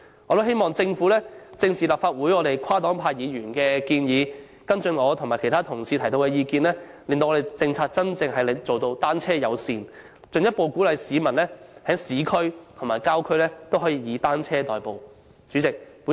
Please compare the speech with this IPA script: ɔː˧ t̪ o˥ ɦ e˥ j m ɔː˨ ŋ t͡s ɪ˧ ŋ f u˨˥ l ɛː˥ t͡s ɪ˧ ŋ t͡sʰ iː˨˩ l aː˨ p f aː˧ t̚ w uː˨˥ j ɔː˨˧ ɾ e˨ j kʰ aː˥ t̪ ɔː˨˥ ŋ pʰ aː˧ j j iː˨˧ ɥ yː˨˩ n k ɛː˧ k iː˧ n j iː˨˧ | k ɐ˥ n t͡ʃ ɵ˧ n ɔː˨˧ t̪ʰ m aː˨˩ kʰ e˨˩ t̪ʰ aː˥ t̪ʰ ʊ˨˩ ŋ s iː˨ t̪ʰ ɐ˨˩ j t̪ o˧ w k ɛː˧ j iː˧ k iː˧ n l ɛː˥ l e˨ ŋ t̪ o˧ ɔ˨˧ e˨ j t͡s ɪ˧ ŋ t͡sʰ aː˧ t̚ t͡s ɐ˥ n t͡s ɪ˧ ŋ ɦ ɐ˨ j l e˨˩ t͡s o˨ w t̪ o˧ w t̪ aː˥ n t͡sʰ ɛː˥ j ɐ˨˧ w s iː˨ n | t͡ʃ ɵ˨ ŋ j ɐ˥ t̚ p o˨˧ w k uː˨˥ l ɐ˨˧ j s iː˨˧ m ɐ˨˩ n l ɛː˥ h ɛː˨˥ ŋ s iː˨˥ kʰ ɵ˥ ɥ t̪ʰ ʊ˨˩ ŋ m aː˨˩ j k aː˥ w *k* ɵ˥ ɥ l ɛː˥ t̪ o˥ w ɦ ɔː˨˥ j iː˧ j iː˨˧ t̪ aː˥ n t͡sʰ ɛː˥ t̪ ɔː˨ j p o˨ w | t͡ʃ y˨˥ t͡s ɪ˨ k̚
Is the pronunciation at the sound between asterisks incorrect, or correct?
incorrect